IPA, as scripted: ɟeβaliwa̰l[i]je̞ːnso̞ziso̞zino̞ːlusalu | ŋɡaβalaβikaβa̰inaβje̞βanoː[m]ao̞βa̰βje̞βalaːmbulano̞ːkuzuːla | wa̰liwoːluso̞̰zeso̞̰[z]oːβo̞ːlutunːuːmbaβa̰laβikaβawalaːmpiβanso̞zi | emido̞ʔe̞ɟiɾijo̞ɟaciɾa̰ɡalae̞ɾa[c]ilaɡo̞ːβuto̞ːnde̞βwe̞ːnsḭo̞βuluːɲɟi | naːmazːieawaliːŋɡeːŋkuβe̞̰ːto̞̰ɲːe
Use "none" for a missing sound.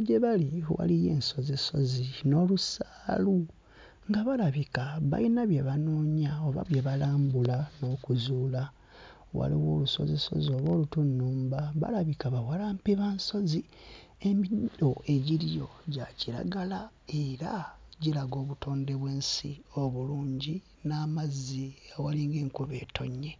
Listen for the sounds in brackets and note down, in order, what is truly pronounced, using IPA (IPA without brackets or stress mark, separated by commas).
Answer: i, ɲ, z, ɟ